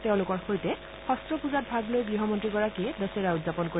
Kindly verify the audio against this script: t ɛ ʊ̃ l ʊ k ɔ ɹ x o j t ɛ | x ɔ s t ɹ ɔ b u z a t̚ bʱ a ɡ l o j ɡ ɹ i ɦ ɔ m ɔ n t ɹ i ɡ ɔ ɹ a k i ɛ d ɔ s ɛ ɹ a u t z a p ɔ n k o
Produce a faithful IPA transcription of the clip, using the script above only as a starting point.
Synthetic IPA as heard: t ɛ ʊ̃ l ʊ k ɔ ɹ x o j t ɛ | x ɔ s t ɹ ɔ p u z a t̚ bʱ a ɡ l o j ɡ ɹ i ɦ ɔ m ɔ n t ɹ i ɡ ɔ ɹ a k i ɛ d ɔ s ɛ ɹ a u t z a p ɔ n k o

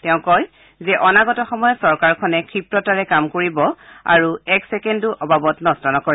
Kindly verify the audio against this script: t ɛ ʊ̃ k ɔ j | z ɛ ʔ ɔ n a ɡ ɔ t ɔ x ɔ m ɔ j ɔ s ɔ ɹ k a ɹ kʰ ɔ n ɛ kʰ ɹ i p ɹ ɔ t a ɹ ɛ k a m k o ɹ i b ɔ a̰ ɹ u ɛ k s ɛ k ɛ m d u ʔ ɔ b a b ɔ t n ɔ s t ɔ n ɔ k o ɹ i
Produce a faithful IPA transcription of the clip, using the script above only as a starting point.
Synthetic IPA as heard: t ɛ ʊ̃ k ɔ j | z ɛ ʔ ɔ n a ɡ ɔ t ɔ x ɔ m ɔ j ɔ s ɔ ɹ k a ɹ kʰ ɔ n ɛ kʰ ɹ i p ɹ ɔ t a ɹ ɛ k a m k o ɹ i b ɔ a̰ ɹ u ɛ k s ɛ k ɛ n d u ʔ ɔ b a b ɔ t n ɔ s t ɔ n ɔ k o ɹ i

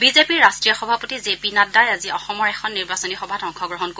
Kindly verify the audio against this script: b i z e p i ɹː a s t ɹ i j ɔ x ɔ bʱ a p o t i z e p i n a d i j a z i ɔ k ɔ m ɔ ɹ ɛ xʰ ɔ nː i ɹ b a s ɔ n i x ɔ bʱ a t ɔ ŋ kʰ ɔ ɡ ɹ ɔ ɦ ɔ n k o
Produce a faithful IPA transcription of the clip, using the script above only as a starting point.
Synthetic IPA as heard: b i z e p i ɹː a s t ɹ i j ɔ x ɔ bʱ a p o t i z e p i n a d a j a z i ɔ x ɔ m ɔ ɹ ɛ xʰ ɔ nː i ɹ b a s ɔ n i x ɔ bʱ a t ɔ ŋ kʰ ɔ ɡ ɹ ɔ ɦ ɔ n k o

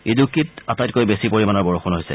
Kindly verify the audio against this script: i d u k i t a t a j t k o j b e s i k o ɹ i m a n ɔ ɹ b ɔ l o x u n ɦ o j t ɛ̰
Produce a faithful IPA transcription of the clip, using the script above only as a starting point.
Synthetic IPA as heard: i d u k i t a t a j t k o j b e s i p o ɹ i m a n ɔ ɹ b ɔ ɹ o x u n ɦ o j s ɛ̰

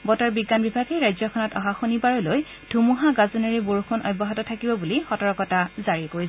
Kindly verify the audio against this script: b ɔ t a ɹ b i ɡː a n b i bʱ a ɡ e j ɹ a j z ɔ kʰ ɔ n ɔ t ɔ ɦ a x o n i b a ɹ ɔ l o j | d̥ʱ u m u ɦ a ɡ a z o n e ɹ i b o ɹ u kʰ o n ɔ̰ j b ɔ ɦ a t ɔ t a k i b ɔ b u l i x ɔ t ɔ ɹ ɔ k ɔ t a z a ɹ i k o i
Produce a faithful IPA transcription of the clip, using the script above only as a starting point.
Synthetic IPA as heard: b ɔ t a ɹ b i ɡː a n b i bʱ a ɡ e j ɹ a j z ɔ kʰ ɔ n ɔ t ɔ ɦ a x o n i b a ɹ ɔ l o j | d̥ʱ u m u ɦ a ɡ a z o n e ɹ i b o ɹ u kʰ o n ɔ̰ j b ɔ ɦ a t ɔ tʰ a k i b ɔ b u l i x ɔ t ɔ ɹ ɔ k ɔ t a z a ɹ i k o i

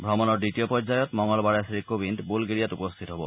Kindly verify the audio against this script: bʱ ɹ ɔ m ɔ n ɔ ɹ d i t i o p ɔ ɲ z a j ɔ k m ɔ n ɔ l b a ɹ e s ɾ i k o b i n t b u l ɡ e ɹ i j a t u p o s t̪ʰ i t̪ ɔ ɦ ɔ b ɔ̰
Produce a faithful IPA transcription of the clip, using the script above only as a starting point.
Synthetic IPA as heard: bʱ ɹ ɔ m ɔ n ɔ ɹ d i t i o p ɔ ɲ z a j ɔ t m ɔ ŋ ɔ l b a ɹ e s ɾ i k o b i n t b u l ɡ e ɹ i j a t u p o s t̪ʰ i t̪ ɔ ɦ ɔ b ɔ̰

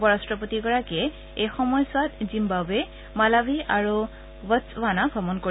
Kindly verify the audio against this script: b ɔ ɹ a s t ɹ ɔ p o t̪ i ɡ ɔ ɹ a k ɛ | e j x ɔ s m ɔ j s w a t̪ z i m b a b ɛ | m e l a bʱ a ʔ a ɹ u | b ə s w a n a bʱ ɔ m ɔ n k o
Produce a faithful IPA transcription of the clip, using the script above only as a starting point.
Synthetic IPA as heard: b ɔ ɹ a s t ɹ ɔ p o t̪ i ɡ ɔ ɹ a k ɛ | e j x ɔ m ɔ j s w a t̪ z i m b a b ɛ | m a l a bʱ i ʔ a ɹ u | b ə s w a n a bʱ ɔ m ɔ n k o

